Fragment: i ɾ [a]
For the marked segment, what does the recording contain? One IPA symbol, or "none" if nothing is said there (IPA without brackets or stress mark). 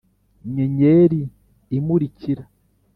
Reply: a